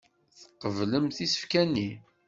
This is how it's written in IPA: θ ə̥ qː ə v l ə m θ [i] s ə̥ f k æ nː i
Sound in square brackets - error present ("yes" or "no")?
no